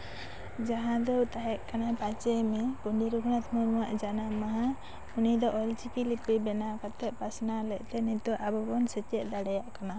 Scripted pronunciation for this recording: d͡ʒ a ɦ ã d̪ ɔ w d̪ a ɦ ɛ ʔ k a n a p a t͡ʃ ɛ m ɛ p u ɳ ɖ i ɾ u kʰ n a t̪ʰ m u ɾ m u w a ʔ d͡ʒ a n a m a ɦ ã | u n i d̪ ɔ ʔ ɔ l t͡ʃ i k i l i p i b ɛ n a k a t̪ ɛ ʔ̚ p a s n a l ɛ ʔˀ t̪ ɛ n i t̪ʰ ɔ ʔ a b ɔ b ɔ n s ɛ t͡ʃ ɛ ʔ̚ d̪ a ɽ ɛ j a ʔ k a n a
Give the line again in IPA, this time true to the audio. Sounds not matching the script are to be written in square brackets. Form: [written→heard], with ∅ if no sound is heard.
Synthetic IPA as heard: d͡ʒ a ɦ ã d̪ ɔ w [d̪→t̪] a ɦ ɛ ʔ k a n a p a t͡ʃ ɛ m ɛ p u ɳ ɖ i ɾ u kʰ n a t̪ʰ m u ɾ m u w a ʔ d͡ʒ a n a m a ɦ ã | u n i d̪ ɔ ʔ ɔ l t͡ʃ i k i l i p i b ɛ n a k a t̪ ɛ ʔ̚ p a s n a l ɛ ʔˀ t̪ ɛ n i [t̪ʰ→t̪] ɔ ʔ a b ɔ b ɔ n s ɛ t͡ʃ ɛ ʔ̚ d̪ a ɽ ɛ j a ʔ k a n a

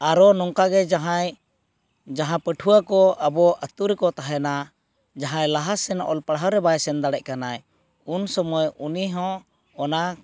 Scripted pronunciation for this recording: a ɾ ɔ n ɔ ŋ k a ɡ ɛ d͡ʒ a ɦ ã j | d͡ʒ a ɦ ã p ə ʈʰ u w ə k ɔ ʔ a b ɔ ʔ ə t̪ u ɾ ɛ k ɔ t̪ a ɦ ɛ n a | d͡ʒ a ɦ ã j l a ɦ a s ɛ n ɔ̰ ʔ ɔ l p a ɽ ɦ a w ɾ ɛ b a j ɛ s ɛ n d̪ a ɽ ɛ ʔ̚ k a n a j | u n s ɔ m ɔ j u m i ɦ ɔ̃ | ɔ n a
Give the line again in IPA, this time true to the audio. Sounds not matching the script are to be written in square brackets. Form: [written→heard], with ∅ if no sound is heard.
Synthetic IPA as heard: a ɾ ɔ n ɔ ŋ k a ɡ ɛ d͡ʒ a ɦ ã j | d͡ʒ a ɦ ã p ə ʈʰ u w [ə→a] k ɔ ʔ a b ɔ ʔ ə t̪ u ɾ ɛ k ɔ t̪ a ɦ ɛ n a | d͡ʒ a ɦ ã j l a ɦ a s ɛ n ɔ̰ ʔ ɔ l p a ɽ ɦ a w ɾ ɛ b a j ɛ s ɛ n d̪ a ɽ ɛ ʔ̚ k a n a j | u n s ɔ m ɔ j u [m→n] i ɦ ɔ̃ | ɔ n a

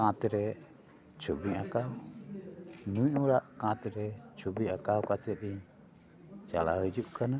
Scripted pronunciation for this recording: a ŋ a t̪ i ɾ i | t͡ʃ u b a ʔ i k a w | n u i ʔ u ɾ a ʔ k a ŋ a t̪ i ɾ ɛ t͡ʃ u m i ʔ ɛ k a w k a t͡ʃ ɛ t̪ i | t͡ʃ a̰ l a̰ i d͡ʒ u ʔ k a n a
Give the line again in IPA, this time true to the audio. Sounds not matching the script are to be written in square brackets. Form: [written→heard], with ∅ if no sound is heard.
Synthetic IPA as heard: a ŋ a t̪ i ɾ [i→ɛ] | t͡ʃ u b [a→i] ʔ [i→a] k a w | n u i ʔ u ɾ a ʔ k a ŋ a t̪ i ɾ ɛ t͡ʃ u [m→b] i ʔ [ɛ→a] k a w k a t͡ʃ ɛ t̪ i | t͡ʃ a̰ l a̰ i d͡ʒ u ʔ k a n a

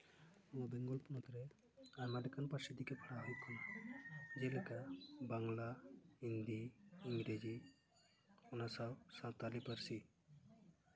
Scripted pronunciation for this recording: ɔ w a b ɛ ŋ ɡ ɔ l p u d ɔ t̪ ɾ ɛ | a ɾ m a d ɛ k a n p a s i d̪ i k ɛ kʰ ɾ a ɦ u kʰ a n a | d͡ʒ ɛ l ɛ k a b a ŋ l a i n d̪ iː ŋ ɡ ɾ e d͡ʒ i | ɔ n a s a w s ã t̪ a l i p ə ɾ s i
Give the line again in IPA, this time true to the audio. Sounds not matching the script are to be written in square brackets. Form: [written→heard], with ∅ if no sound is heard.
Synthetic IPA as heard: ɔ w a b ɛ ŋ ɡ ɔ l p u [d→n] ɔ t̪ ɾ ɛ | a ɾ m a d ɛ k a n p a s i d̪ i k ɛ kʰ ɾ a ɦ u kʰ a n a | d͡ʒ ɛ l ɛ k a b a ŋ l a i n d̪ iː ŋ ɡ ɾ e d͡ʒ i | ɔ n a s a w s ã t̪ a l i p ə ɾ s i

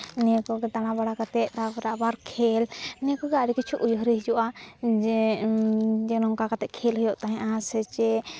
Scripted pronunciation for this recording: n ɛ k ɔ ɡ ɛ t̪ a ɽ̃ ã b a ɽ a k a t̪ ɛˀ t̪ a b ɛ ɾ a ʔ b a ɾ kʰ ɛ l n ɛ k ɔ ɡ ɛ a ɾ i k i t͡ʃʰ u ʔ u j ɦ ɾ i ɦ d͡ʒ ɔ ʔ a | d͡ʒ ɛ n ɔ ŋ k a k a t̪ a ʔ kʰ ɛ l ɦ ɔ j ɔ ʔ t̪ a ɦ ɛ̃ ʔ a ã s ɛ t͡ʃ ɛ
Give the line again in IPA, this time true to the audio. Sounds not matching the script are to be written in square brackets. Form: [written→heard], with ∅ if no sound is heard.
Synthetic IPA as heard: n ɛ k ɔ ɡ ɛ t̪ a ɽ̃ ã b a ɽ a k a t̪ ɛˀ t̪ a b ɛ ɾ a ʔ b a ɾ kʰ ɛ l n ɛ k ɔ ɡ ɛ a ɾ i k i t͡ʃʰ u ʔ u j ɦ ɾ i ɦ d͡ʒ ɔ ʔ a | d͡ʒ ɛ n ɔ ŋ k a k a t̪ [a→ɛ] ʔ kʰ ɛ l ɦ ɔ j ɔ ʔ t̪ a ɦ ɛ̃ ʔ a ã s ɛ t͡ʃ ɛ

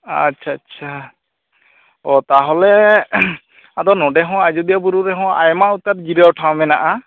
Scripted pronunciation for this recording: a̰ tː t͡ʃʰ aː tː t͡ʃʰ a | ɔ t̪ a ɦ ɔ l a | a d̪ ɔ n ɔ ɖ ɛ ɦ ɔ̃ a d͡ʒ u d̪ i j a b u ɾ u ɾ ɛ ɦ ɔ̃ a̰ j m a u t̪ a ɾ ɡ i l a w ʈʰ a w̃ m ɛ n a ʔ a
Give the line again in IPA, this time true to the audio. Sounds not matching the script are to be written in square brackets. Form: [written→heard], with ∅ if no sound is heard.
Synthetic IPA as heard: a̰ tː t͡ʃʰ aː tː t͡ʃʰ a | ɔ t̪ a ɦ ɔ l [a→ɛ] | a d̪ ɔ n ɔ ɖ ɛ ɦ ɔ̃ a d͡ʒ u d̪ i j a b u ɾ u ɾ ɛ ɦ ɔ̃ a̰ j m a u t̪ a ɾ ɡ i [l→ɾ] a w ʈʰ a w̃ m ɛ n a ʔ a

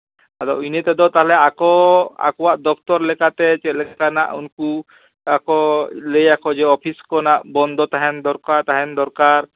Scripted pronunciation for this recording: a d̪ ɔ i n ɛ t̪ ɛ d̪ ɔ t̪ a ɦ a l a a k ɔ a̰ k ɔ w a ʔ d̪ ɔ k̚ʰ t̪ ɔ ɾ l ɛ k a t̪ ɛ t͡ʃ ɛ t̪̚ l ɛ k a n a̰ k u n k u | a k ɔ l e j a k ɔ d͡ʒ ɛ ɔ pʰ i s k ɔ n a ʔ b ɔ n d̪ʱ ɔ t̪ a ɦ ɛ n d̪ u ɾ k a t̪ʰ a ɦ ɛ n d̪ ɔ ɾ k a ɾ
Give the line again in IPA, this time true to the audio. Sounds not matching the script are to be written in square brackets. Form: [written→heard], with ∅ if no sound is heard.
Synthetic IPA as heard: a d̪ ɔ i n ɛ t̪ ɛ d̪ ɔ t̪ a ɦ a l [a→ɛ] a k ɔ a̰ k ɔ w a ʔ d̪ ɔ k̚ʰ t̪ ɔ ɾ l ɛ k a t̪ ɛ t͡ʃ ɛ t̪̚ l ɛ k a n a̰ [k→ʔ] u n k u | a k ɔ l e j a k ɔ d͡ʒ ɛ ɔ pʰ i s k ɔ n a ʔ b ɔ n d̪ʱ ɔ t̪ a ɦ ɛ n d̪ [u→ɔ] ɾ k a [t̪ʰ→t̪] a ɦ ɛ n d̪ ɔ ɾ k a ɾ

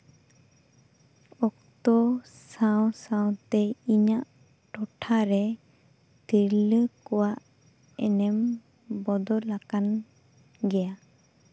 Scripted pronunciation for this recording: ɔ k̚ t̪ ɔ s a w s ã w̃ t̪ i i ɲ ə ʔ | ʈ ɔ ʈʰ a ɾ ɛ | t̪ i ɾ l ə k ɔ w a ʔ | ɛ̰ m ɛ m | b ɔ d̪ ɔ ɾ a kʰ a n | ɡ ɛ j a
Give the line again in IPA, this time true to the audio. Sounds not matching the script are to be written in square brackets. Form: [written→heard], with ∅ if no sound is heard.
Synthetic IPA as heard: ɔ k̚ t̪ ɔ s a w s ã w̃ t̪ [i→ɛ] i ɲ [ə→a] ʔ | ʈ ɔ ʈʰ a ɾ ɛ | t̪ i ɾ l ə k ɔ w a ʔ | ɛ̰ [m→n] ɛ m | b ɔ d̪ ɔ [ɾ→l] a [kʰ→k] a n | ɡ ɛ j a

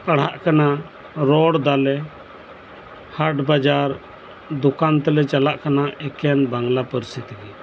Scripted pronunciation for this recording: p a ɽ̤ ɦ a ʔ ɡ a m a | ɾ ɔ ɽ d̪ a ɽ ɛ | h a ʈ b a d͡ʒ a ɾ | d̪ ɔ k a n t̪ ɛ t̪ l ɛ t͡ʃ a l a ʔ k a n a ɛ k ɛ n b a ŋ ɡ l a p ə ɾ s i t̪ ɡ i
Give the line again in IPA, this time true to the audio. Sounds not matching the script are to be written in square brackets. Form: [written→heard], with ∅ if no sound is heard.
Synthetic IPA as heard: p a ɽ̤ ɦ a ʔ [ɡ→k] a [m→n] a | ɾ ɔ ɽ d̪ a [ɽ→l] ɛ | h a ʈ b a d͡ʒ a ɾ | d̪ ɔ k a n t̪ ɛ [t̪→∅] l ɛ t͡ʃ a l a ʔ k a n a ɛ k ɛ n b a ŋ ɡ l a p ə ɾ s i t̪ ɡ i

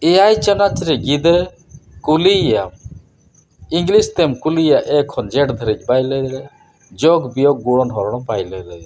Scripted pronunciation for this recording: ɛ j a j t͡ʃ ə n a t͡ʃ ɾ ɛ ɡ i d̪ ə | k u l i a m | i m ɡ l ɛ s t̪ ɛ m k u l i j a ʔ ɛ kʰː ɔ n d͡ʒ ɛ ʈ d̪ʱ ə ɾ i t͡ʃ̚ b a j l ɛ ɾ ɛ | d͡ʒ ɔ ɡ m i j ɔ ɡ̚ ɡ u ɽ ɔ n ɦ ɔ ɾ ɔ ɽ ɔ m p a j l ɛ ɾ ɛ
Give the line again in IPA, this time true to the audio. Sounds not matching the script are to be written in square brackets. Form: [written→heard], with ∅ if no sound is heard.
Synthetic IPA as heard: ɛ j a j t͡ʃ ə n a t͡ʃ ɾ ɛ ɡ i d̪ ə | k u l i a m | i [m→ŋ] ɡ l [ɛ→i] s t̪ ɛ m k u l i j a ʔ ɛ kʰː ɔ n d͡ʒ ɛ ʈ d̪ʱ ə ɾ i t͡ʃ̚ b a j l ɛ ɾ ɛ | d͡ʒ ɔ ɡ [m→b] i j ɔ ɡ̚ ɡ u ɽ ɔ n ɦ ɔ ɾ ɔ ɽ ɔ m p a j l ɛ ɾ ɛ

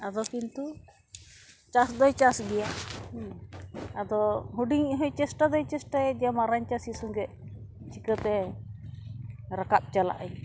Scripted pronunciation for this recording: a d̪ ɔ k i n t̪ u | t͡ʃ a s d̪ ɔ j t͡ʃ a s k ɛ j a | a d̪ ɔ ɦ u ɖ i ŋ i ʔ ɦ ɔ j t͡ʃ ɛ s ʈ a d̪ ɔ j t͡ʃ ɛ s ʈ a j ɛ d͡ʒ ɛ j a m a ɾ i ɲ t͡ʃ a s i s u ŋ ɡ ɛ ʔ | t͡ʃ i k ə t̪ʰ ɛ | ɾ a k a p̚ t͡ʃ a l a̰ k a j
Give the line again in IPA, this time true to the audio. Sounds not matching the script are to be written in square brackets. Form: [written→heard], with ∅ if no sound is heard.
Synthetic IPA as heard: a d̪ ɔ k i n t̪ u | t͡ʃ a s d̪ ɔ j t͡ʃ a s [k→ɡ] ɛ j a | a d̪ ɔ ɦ u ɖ i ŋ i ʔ ɦ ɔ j t͡ʃ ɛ s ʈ a d̪ ɔ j t͡ʃ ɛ s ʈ a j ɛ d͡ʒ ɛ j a m a ɾ [i→a] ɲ t͡ʃ a s i s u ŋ ɡ ɛ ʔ | t͡ʃ i k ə [t̪ʰ→t̪] ɛ | ɾ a k a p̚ t͡ʃ a l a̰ [k→ʔ] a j

